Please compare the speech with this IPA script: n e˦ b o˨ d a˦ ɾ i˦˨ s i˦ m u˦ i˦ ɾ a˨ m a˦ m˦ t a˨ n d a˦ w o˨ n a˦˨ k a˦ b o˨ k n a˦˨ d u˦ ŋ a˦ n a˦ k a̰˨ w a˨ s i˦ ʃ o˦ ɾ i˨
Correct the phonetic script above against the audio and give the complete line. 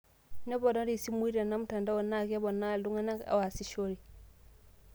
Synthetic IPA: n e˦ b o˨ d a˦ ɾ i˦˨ s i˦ m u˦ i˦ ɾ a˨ n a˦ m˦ t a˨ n d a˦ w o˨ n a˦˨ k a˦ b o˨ n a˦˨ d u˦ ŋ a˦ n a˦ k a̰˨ w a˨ s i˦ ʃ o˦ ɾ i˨